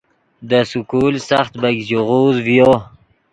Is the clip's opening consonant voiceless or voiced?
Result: voiced